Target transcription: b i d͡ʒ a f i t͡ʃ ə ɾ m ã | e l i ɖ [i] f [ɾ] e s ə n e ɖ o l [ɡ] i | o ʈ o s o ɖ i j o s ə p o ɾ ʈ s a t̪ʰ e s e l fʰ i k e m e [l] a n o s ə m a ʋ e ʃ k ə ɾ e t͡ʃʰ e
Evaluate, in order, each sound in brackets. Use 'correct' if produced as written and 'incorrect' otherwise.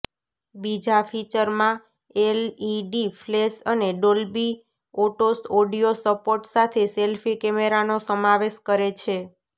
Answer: correct, incorrect: l, incorrect: b, incorrect: ɾ

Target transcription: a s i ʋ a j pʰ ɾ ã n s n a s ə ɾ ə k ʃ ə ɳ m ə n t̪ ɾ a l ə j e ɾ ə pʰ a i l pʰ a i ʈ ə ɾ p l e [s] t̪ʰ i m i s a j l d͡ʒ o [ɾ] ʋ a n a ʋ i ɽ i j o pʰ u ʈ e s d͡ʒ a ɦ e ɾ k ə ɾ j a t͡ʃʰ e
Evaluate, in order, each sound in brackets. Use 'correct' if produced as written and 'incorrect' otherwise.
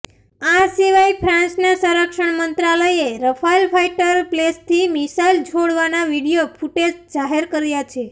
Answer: correct, incorrect: ɽ

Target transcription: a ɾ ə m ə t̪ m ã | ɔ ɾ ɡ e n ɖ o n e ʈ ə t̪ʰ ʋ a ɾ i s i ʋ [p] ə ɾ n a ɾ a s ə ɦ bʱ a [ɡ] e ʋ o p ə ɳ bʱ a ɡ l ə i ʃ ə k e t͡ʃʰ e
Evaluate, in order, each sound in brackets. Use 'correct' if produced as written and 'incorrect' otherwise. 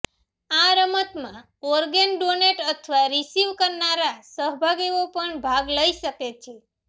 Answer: incorrect: k, correct

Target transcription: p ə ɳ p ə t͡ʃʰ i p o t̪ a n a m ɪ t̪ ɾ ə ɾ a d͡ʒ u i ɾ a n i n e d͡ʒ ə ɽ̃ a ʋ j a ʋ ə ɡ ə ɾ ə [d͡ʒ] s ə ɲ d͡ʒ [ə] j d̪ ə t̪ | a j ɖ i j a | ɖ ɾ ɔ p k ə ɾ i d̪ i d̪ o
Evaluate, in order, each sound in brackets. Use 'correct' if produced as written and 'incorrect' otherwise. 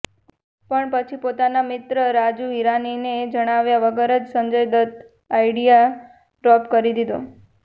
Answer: correct, correct

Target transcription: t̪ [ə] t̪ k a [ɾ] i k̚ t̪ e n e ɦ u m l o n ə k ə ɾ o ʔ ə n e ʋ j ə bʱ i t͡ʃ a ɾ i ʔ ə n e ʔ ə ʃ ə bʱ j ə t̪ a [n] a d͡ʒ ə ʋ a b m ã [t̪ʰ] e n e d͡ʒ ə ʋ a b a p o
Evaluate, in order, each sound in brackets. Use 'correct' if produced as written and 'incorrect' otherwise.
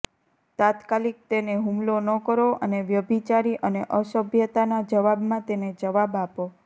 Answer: incorrect: a, incorrect: l, correct, incorrect: t̪

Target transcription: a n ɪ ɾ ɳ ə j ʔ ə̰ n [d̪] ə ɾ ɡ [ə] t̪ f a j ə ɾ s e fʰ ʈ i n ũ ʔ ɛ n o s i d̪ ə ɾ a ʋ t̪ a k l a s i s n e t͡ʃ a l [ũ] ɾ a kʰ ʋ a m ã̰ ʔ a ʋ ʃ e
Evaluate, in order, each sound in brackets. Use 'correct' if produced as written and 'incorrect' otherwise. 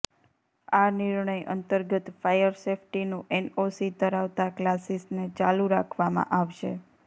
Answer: incorrect: t̪, correct, incorrect: u

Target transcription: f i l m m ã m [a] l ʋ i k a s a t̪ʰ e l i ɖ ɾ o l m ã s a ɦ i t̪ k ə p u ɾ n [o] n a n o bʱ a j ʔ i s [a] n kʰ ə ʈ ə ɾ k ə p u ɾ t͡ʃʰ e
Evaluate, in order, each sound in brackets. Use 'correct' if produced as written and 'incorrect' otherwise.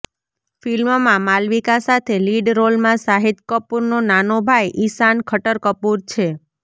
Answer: correct, correct, correct

